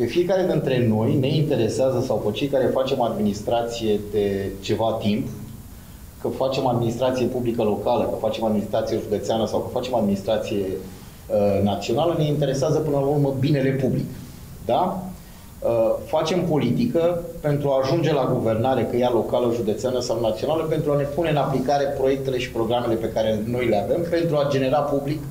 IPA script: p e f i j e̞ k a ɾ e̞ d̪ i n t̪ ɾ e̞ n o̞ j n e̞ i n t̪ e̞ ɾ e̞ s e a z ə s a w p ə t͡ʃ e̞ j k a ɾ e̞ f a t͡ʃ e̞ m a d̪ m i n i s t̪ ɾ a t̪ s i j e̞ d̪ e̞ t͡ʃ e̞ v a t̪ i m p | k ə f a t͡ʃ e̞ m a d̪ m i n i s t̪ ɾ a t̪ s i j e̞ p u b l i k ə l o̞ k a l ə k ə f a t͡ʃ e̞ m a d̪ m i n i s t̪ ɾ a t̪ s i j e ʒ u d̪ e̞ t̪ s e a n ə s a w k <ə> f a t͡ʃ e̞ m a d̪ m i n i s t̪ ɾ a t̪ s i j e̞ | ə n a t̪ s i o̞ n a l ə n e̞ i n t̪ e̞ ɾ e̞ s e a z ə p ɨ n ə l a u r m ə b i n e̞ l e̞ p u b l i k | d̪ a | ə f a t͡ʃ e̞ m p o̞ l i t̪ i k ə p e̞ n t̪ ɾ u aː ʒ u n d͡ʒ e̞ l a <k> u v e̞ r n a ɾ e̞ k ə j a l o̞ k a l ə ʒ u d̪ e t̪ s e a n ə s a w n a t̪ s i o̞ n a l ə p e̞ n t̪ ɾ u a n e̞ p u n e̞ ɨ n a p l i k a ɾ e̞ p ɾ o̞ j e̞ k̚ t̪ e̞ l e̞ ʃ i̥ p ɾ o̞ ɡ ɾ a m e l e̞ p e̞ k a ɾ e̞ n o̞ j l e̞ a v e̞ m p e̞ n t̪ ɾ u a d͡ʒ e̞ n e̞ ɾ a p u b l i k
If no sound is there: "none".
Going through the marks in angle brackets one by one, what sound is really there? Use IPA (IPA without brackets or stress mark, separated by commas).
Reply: ə, ɡ